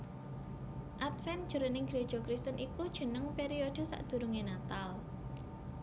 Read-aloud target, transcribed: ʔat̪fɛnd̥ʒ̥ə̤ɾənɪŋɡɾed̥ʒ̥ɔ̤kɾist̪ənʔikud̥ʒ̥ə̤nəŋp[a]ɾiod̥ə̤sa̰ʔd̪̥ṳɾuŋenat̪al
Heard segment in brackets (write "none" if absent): e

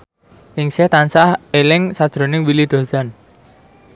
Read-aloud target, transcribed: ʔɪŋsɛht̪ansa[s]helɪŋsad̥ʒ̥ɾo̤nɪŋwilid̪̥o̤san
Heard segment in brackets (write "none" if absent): none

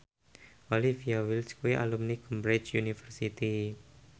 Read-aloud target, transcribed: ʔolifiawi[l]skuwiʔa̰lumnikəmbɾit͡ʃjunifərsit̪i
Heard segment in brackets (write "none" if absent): l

